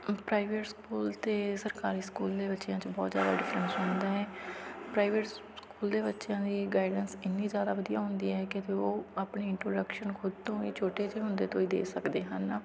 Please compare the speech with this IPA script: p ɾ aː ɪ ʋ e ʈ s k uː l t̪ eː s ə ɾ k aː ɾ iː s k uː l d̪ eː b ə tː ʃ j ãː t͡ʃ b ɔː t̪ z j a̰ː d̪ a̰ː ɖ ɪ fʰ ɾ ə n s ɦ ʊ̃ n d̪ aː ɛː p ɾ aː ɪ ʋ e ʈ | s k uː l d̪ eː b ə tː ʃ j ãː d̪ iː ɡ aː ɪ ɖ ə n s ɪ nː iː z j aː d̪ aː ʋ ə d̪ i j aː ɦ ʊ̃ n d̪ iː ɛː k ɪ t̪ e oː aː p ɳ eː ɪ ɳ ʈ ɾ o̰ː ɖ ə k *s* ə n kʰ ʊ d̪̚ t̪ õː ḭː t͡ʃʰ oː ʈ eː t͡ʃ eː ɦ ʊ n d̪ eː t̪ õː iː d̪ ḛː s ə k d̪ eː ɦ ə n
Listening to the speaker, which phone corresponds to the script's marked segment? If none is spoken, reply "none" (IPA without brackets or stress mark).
ʃ